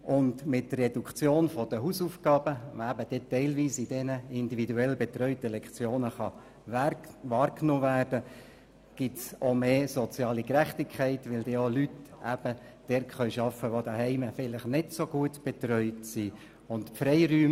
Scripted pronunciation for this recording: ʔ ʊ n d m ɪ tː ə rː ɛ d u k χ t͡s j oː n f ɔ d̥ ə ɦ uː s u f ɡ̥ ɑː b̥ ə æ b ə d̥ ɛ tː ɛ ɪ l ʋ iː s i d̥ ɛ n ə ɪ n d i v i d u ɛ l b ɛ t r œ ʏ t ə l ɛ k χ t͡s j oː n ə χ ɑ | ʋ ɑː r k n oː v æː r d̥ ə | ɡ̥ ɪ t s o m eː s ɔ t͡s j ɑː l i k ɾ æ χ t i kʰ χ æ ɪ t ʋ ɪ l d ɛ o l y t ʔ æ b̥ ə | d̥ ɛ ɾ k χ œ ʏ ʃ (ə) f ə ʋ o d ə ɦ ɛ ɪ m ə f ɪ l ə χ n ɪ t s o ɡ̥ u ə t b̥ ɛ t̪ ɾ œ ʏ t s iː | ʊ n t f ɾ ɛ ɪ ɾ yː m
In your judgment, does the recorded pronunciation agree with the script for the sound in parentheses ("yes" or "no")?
no